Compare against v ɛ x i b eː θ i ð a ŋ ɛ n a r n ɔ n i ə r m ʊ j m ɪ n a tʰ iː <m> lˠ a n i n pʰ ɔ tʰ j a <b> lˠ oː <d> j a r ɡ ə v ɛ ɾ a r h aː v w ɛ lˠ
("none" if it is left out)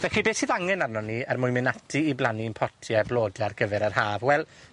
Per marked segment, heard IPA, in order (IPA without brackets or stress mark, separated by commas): b, b, d